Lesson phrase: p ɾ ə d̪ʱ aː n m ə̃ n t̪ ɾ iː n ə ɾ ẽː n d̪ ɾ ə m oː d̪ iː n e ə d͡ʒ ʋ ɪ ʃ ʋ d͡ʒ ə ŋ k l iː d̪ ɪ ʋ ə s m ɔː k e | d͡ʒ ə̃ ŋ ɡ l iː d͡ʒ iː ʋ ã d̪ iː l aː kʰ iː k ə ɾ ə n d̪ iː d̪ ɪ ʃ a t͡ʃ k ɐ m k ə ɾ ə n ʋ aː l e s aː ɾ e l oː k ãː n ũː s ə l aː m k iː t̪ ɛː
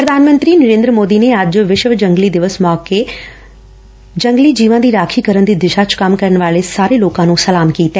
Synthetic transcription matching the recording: p ɾ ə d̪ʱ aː n m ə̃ n t̪ ɾ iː n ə ɾ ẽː n d̪ ɾ ə m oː d̪ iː n e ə d͡ʒ ʋ ɪ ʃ ʋ d͡ʒ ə ŋ ɡ l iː d̪ ɪ ʋ ə s m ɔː k e | d͡ʒ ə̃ ŋ ɡ l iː d͡ʒ iː ʋ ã d̪ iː ɾ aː kʰ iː k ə ɾ ə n d̪ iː d̪ ɪ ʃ a t͡ʃ k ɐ m k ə ɾ ə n ʋ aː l e s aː ɾ e l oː k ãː n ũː s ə l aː m k iː t̪ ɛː